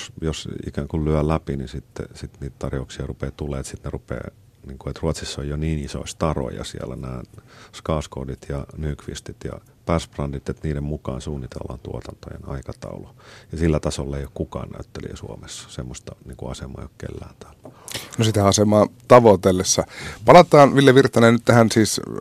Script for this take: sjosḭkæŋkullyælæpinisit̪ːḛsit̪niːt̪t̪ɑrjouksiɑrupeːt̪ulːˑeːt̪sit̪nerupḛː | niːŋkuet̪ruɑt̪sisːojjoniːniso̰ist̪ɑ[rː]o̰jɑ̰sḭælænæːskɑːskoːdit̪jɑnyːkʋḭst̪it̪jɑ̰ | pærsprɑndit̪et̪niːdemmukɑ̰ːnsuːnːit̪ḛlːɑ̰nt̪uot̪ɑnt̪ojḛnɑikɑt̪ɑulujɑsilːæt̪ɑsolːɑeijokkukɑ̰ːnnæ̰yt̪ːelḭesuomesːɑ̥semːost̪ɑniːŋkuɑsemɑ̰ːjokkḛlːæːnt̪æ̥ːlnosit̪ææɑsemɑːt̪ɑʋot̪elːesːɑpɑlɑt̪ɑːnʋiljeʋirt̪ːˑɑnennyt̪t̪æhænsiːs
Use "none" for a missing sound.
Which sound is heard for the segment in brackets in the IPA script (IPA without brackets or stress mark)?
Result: r